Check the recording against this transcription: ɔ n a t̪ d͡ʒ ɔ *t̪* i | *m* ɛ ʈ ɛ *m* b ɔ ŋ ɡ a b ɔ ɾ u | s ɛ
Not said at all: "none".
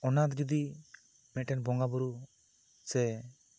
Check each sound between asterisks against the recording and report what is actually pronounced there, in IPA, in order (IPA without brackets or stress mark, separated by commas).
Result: d̪, m, n